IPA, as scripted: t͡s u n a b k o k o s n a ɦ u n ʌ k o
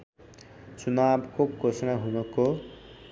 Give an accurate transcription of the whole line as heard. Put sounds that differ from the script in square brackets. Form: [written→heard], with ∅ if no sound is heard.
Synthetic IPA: t͡s u n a b k o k o s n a ɦ u n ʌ k o